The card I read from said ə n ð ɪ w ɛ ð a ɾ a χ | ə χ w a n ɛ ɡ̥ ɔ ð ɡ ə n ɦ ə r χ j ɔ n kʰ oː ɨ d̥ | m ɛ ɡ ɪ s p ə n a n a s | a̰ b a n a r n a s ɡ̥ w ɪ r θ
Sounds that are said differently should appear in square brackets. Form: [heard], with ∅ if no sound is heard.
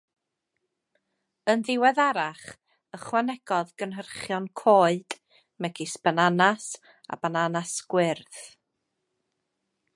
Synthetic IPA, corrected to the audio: ə n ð ɪ w ɛ ð a ɾ a χ | ə χ w a n ɛ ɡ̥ ɔ ð ɡ ə n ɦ ə r χ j ɔ n kʰ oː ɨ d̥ | m ɛ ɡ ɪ s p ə n a n a s | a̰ b a n a [∅] n a s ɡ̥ w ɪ r θ